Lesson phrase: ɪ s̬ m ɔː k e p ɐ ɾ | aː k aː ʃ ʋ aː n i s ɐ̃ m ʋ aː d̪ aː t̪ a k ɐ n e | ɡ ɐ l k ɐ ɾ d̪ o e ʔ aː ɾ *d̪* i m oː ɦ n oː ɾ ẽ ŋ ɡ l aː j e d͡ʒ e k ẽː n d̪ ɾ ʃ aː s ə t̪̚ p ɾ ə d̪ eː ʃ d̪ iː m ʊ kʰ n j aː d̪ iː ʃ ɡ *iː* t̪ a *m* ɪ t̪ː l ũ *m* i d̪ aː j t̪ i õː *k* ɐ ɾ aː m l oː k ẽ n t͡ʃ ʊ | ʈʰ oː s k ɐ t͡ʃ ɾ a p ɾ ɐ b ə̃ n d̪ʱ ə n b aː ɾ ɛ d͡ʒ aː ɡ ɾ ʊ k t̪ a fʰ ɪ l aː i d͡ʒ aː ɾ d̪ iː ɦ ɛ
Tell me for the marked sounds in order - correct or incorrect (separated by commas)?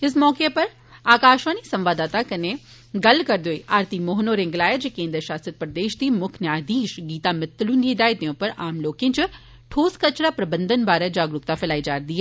incorrect, correct, correct, incorrect, incorrect